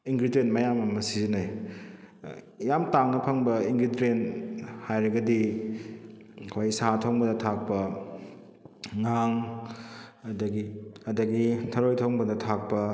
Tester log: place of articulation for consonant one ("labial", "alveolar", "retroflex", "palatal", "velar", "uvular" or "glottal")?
velar